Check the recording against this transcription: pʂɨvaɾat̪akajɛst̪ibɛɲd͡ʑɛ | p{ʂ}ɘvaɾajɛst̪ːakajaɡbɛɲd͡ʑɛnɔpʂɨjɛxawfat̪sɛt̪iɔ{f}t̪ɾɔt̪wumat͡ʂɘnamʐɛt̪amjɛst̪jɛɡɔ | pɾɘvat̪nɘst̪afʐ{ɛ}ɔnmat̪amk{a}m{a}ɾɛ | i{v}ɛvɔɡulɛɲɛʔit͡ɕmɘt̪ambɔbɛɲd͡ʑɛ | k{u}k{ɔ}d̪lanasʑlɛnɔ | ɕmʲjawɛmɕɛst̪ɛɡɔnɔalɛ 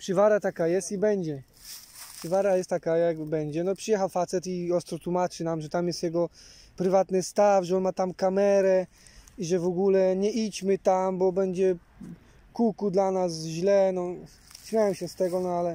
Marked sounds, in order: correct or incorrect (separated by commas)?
correct, incorrect, correct, correct, incorrect, incorrect, correct, incorrect